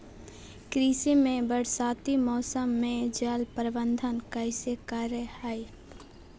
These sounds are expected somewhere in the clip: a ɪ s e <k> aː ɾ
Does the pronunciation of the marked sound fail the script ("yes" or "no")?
no